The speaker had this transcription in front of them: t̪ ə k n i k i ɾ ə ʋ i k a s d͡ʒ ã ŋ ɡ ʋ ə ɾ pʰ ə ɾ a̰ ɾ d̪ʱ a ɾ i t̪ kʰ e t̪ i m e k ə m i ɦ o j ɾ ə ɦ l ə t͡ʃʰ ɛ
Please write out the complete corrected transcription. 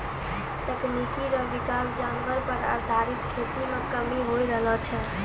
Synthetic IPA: t̪ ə k n i k i ɾ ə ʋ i k a s d͡ʒ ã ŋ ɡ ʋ ə ɾ p ə ɾ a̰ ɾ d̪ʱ a ɾ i t̪ kʰ e t̪ i m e k ə m i ɦ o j ɾ ə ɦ l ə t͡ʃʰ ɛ